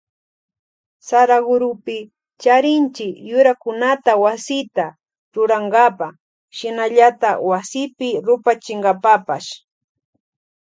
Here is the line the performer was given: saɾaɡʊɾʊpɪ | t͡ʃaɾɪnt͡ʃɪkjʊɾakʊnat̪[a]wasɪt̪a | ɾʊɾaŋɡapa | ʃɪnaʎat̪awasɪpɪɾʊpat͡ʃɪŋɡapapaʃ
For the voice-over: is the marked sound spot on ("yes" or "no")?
yes